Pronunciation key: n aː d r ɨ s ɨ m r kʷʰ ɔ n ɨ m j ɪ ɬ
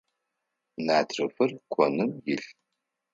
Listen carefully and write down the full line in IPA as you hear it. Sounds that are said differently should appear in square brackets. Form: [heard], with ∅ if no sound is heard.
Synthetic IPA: n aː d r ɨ [f] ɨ [∅] r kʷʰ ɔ n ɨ m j ɪ ɬ

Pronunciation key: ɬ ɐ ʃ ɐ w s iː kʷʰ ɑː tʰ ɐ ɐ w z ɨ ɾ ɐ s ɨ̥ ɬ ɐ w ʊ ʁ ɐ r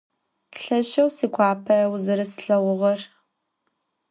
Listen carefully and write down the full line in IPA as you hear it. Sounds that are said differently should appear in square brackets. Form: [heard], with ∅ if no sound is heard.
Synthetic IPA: ɬ ɐ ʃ ɐ w s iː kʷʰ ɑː [pʰ] ɐ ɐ w z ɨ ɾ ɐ s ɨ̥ ɬ ɐ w ʊ ʁ ɐ r

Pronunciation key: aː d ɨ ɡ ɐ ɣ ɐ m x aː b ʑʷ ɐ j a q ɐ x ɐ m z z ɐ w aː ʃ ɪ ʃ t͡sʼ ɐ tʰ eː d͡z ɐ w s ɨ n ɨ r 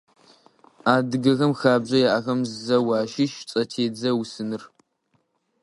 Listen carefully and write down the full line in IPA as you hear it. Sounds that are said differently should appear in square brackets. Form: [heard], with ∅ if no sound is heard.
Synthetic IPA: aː d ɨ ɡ ɐ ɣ ɐ m x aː b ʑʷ ɐ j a [ʔ] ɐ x ɐ m z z ɐ w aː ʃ ɪ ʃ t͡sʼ ɐ tʰ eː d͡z ɐ w s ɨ n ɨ r

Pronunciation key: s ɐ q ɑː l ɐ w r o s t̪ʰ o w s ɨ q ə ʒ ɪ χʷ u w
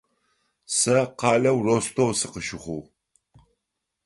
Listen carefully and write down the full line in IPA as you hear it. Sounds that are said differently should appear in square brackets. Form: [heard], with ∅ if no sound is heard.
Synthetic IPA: s ɐ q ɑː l ɐ w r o s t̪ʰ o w s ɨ q ə [ʃ] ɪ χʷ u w

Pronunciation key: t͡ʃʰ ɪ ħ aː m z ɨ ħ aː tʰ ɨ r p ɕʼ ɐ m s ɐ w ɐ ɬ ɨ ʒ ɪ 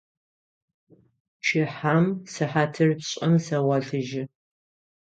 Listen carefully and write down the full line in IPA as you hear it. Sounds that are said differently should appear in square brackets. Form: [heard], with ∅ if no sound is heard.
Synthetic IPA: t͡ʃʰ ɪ ħ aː m [s] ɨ ħ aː tʰ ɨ r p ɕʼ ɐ m s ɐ w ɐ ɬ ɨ ʒ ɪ

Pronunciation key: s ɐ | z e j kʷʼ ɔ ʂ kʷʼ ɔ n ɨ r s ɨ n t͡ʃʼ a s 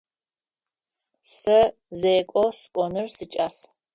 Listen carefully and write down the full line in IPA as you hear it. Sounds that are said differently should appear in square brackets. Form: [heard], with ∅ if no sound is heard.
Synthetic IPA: s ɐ | z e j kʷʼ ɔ [s] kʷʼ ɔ n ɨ r s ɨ [∅] t͡ʃʼ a s

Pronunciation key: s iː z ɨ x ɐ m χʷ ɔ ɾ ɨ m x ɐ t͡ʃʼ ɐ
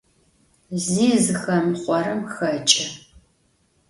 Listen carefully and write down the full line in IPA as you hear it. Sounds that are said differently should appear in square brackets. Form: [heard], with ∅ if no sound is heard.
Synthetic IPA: [z] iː z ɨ x ɐ m χʷ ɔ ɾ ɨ m x ɐ t͡ʃʼ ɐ

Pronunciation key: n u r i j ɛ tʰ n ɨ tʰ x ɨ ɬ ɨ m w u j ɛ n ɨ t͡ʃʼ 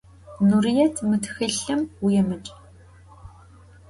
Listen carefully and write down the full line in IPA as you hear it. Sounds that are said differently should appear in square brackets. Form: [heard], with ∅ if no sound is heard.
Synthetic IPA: n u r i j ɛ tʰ [m] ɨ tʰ x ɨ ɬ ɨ m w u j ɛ [m] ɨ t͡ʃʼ

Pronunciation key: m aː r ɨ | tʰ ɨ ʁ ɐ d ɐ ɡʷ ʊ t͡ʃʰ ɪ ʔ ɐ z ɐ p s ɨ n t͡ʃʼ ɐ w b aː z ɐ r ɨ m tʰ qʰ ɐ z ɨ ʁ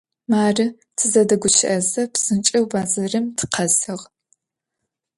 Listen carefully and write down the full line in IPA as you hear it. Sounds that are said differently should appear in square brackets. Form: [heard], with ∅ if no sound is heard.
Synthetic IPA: m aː r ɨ | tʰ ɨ [z] ɐ d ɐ ɡʷ ʊ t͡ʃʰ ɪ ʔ ɐ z ɐ p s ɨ n t͡ʃʼ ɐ w b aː z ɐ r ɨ m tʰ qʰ ɐ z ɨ ʁ

